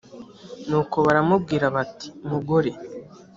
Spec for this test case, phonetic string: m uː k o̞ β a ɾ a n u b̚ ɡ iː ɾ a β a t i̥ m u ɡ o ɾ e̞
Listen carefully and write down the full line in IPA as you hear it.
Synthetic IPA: n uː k o̞ β a ɾ a m u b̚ ɡ iː ɾ a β a t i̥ m u ɡ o ɾ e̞